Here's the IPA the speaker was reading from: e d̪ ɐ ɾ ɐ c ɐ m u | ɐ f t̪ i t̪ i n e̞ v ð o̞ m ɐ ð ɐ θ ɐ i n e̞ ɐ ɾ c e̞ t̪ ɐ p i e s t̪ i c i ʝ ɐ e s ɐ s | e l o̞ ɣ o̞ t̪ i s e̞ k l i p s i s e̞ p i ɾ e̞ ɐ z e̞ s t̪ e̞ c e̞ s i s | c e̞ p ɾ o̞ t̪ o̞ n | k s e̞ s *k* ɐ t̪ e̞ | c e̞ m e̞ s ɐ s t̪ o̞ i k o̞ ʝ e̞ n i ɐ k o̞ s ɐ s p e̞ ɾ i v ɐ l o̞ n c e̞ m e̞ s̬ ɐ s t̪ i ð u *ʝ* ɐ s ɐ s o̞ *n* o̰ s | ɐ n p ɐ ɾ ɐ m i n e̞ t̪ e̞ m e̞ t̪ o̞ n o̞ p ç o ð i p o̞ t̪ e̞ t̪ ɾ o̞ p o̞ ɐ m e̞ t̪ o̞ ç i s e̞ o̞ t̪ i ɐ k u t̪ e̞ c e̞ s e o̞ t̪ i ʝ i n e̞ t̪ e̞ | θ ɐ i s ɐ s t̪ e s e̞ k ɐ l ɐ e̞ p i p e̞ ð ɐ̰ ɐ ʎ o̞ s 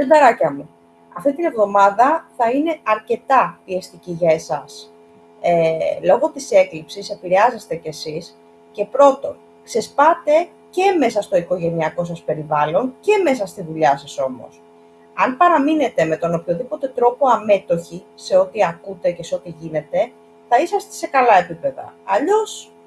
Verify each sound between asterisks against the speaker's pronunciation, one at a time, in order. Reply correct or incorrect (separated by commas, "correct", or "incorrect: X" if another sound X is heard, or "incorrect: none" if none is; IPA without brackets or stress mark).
incorrect: p, incorrect: ʎ, incorrect: m